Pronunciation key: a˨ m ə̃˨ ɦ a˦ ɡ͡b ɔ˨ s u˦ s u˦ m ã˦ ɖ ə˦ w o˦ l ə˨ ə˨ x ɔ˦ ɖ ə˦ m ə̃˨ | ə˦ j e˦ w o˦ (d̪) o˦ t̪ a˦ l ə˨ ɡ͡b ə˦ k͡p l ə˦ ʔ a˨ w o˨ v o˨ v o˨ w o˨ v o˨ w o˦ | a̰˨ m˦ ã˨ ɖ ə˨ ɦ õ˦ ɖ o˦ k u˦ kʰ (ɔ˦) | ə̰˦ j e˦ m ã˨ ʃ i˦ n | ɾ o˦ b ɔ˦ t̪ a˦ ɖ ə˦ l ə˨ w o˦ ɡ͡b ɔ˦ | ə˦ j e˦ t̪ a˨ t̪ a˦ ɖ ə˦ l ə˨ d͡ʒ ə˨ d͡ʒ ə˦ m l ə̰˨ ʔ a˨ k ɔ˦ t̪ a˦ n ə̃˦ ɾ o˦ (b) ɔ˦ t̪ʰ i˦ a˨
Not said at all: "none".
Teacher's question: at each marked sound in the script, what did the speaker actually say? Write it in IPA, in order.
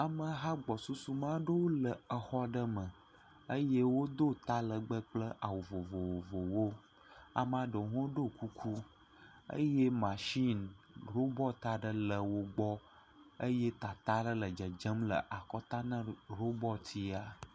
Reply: d̪, u˦, b

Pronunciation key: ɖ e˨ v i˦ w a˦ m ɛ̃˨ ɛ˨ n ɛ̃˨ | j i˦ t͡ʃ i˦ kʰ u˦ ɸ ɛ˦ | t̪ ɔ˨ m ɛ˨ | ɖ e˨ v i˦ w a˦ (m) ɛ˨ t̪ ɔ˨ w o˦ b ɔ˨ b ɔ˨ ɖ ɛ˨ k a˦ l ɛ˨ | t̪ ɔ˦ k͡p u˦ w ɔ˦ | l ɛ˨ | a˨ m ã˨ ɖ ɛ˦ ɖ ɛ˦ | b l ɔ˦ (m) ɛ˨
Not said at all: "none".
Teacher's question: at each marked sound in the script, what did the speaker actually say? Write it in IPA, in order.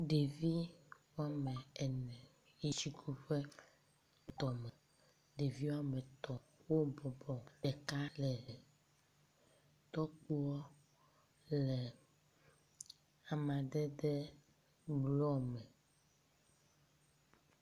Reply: m, m

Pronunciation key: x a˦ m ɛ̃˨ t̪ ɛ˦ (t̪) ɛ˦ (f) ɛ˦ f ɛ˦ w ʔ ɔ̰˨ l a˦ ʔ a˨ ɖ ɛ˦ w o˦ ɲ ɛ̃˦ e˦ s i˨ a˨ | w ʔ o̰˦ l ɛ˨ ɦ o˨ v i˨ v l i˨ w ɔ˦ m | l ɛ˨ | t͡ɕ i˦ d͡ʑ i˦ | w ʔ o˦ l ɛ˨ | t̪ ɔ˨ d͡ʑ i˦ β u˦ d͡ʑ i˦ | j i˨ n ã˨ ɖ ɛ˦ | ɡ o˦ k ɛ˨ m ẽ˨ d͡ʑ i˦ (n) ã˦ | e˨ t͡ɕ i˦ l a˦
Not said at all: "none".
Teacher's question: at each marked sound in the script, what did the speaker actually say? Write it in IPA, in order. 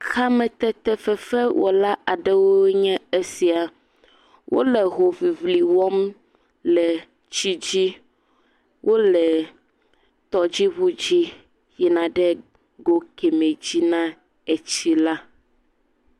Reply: t̪, f, n

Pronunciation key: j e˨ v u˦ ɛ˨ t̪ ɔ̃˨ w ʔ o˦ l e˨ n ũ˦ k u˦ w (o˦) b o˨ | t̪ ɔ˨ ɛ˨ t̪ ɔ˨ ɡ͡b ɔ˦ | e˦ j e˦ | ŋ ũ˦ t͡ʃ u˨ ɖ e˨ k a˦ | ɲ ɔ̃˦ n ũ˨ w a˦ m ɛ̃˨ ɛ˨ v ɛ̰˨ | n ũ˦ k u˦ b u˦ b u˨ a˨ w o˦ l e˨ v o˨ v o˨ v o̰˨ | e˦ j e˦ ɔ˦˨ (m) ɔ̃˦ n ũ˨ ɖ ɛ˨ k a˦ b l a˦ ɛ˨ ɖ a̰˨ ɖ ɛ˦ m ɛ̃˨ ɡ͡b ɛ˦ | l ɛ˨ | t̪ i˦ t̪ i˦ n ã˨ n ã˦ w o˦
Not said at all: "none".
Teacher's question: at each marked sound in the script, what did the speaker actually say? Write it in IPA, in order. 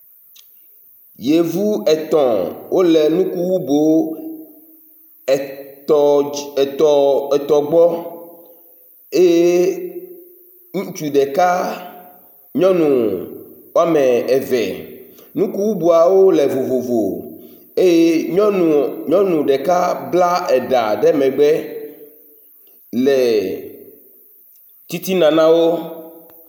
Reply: u˦, ɲ

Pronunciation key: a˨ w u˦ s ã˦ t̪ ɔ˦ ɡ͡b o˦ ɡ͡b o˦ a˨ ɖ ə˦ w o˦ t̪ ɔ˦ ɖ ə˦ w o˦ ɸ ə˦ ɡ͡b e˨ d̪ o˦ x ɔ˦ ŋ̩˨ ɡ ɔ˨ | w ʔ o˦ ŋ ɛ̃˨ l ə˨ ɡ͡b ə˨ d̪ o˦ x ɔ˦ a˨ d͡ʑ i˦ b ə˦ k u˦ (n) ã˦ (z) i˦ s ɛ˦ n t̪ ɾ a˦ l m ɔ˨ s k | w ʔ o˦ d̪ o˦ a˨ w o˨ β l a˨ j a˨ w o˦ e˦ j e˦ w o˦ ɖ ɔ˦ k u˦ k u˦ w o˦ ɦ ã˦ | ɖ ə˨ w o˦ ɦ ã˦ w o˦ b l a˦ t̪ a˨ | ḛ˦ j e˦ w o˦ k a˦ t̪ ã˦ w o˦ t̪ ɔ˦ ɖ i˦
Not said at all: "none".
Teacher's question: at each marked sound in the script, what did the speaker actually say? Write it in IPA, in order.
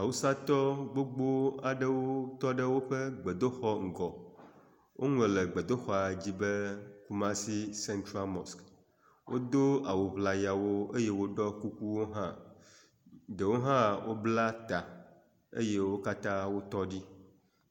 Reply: m, s

